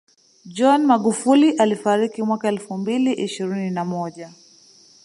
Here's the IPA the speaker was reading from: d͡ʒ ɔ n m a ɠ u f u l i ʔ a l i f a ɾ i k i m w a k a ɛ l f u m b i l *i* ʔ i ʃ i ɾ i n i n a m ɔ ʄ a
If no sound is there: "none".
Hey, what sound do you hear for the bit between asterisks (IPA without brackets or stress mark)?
i